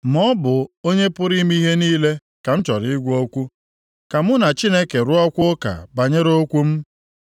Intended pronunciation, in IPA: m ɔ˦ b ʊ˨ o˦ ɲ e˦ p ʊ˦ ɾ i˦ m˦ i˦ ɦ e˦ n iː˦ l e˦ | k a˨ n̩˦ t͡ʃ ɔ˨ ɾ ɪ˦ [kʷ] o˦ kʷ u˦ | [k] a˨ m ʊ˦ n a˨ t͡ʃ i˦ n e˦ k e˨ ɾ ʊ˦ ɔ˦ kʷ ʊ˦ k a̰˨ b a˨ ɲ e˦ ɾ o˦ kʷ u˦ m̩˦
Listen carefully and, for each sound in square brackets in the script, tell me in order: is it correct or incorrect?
incorrect, correct

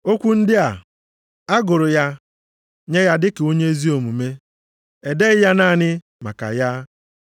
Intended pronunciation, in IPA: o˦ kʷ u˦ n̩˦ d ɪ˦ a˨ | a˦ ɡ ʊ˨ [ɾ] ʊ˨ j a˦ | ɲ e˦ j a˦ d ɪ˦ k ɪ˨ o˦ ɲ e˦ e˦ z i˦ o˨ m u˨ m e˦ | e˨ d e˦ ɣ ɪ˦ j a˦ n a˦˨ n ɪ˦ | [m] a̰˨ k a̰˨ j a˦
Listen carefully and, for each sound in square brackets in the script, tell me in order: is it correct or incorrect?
correct, correct

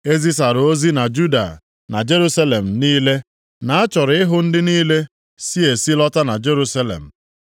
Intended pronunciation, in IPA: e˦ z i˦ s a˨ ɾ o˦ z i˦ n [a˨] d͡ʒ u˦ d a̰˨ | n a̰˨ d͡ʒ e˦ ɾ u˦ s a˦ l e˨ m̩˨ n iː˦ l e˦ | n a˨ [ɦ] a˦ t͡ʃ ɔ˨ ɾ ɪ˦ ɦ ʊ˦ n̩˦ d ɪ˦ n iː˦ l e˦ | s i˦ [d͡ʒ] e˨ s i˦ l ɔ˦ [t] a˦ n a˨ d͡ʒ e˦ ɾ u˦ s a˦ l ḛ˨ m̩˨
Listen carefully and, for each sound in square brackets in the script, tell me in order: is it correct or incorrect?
correct, incorrect, incorrect, correct

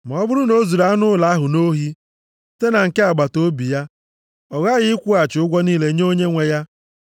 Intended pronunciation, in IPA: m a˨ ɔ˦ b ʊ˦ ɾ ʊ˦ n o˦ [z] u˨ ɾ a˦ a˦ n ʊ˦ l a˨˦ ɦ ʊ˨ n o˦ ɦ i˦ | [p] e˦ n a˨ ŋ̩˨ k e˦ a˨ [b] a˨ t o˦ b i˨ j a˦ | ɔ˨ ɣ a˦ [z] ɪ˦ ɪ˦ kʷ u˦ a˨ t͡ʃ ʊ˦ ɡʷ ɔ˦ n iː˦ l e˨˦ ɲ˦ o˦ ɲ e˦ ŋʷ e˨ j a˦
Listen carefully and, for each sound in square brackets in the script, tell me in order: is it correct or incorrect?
correct, incorrect, incorrect, incorrect

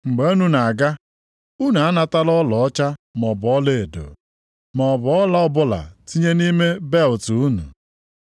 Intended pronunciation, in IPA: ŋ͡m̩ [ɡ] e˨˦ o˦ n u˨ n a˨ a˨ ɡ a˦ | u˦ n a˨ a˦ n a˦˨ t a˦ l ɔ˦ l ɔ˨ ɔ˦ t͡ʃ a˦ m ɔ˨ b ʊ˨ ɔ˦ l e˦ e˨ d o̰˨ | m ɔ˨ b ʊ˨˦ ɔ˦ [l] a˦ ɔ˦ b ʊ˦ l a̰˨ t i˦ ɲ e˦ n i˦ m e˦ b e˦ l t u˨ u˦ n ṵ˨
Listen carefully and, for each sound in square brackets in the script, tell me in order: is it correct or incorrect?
incorrect, correct

